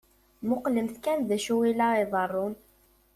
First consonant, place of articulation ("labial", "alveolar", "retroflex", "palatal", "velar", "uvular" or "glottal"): labial